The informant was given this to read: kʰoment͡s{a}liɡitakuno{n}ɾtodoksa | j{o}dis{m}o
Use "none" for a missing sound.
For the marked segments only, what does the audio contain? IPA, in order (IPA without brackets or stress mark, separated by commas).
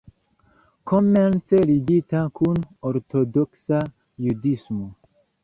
e, none, u, m